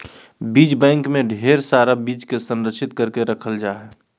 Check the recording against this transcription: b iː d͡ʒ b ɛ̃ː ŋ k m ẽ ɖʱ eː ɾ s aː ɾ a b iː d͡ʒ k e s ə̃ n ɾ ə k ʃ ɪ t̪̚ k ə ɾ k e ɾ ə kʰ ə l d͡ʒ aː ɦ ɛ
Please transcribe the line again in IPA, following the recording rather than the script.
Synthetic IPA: b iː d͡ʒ b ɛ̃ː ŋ k m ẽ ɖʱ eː ɾ s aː ɾ a b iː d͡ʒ k e s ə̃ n ɾ ə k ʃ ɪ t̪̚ k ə ɾ k e ɾ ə kʰ ə l d͡ʒ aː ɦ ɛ